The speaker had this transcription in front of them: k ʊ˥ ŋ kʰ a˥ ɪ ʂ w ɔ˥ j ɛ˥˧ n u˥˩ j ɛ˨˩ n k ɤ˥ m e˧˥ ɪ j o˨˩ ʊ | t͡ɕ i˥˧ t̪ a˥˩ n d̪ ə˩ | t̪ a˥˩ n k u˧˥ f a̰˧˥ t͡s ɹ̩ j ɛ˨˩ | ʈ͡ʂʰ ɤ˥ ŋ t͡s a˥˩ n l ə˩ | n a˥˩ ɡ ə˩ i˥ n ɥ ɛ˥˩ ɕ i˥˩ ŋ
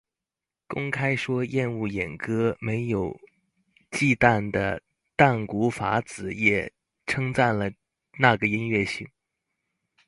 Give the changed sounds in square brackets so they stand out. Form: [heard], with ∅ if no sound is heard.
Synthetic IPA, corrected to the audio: k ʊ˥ ŋ kʰ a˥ ɪ ʂ w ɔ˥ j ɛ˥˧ n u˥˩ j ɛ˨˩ n k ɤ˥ m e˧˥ ɪ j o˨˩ ʊ | t͡ɕ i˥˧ t̪ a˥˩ n d̪ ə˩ | t̪ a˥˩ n k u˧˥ f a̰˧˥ t͡s ɹ̩ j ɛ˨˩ | ʈ͡ʂʰ ɤ˥ ŋ t͡s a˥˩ n l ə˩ | n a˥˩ ɡ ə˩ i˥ n ɥ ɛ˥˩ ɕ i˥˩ ŋ